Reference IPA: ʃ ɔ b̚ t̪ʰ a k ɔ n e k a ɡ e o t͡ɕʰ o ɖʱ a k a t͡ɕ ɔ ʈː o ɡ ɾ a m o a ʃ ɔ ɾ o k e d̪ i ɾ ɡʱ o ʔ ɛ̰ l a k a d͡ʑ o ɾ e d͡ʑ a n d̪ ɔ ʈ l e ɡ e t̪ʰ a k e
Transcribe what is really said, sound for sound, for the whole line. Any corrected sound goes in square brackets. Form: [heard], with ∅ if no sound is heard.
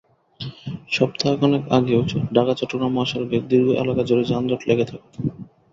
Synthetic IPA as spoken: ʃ ɔ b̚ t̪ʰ a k ɔ n e k a ɡ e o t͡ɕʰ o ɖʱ a k a t͡ɕ ɔ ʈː o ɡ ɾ a m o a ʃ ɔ ɾ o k e d̪ i ɾ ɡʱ o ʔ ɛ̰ l a k a d͡ʑ o ɾ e d͡ʑ a n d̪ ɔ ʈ l e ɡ e t̪ʰ a k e